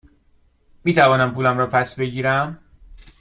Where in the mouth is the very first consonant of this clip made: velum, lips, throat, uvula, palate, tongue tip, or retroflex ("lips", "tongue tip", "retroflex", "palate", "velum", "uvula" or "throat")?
lips